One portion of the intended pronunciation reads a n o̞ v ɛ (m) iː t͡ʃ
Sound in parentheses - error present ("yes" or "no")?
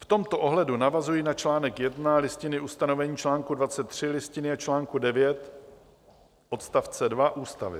yes